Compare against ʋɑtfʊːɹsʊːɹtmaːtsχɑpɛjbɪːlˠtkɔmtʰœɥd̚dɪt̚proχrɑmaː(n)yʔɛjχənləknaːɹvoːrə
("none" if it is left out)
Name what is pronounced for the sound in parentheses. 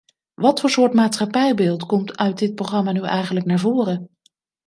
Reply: n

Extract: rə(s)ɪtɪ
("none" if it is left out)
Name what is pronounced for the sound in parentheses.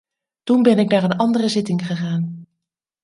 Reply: z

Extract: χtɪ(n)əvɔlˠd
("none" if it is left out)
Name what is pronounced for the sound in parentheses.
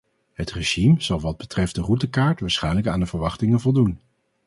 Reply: ŋ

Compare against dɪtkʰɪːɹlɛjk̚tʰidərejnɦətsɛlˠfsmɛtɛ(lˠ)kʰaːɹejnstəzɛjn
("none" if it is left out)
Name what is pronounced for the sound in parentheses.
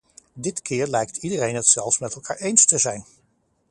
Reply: lˠ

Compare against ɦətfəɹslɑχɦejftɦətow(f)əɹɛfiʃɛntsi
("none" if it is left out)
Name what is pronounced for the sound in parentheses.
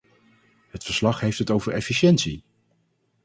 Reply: v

